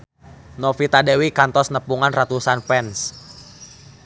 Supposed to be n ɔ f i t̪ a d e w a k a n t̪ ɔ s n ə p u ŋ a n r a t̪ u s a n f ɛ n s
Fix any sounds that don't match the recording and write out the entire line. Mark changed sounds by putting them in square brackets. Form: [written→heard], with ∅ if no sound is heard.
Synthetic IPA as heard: n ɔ f i t̪ a d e w [a→i] k a n t̪ ɔ s n ə p u ŋ a n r a t̪ u s a n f ɛ n s